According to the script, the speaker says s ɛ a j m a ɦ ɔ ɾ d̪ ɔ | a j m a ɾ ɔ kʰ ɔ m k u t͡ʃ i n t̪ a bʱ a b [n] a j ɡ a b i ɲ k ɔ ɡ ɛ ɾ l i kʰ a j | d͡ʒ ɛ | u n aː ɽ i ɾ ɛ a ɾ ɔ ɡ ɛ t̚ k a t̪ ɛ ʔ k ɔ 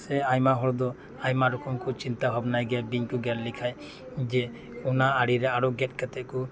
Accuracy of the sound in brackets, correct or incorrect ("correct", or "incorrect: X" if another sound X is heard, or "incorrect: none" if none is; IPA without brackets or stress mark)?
correct